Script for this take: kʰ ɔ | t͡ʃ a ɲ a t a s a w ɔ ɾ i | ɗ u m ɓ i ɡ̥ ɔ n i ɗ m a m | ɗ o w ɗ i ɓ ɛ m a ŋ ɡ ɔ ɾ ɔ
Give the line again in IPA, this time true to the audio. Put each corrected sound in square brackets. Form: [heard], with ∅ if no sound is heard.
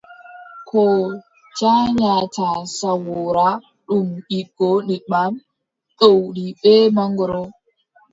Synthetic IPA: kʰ ɔ | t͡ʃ a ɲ a t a s a w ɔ ɾ [a] | ɗ u m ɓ i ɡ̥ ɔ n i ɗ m a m | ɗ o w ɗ i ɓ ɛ m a ŋ ɡ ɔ ɾ ɔ